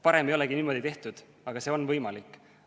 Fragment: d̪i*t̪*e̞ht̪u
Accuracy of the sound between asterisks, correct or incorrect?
correct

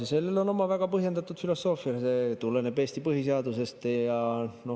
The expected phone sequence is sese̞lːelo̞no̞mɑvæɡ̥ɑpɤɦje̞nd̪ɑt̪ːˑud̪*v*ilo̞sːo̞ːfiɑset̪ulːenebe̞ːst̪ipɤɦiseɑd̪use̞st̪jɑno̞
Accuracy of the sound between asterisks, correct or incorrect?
incorrect: f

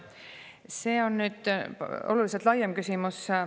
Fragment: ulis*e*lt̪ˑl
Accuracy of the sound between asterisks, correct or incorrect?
correct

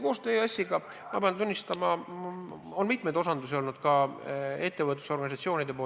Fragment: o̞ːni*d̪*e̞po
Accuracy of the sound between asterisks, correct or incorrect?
correct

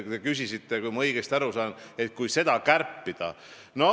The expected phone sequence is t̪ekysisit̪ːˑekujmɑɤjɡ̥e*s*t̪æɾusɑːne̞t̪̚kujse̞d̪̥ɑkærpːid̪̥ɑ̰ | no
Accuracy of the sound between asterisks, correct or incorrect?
correct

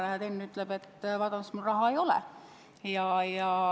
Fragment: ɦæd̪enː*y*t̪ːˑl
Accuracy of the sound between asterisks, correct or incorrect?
correct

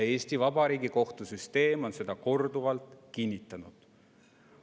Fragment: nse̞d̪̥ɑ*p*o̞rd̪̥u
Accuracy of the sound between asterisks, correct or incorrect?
incorrect: k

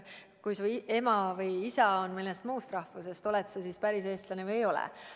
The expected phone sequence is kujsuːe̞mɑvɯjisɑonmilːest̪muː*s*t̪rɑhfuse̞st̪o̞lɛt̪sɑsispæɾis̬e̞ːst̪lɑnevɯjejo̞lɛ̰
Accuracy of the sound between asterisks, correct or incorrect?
correct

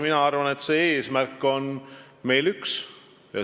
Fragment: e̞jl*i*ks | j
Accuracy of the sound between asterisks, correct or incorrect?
incorrect: y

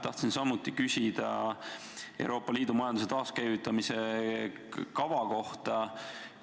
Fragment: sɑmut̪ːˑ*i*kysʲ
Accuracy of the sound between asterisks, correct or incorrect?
correct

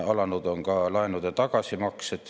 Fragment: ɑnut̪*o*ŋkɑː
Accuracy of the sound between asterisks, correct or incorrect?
correct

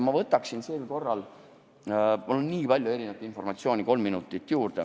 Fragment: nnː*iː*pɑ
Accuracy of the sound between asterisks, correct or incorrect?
correct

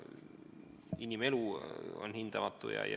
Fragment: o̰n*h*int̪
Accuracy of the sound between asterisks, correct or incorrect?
correct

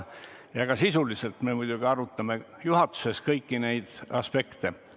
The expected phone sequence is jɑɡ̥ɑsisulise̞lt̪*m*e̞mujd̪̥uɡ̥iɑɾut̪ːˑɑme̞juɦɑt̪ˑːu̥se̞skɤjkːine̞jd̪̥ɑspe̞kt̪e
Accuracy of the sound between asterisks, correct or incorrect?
correct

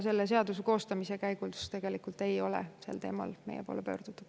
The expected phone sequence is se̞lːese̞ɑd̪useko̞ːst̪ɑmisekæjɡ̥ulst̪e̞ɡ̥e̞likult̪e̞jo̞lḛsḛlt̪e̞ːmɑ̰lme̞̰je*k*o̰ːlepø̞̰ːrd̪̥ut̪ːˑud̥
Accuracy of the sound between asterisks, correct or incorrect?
incorrect: p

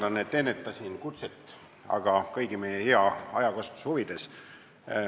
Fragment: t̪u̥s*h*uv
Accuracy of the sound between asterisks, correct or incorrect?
correct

